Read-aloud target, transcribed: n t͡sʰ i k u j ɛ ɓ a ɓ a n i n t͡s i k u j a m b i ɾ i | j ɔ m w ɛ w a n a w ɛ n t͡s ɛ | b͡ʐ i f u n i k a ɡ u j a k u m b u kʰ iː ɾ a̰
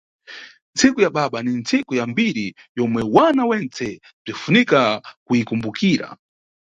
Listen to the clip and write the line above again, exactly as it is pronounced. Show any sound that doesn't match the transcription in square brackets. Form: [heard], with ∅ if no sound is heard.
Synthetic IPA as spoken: n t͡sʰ i k u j [a] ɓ a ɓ a n i n t͡s i k u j a m b i ɾ i | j ɔ m w ɛ w a n a w ɛ n t͡s ɛ | b͡ʐ i f u n i k a [k] u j [i] k u m b u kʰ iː ɾ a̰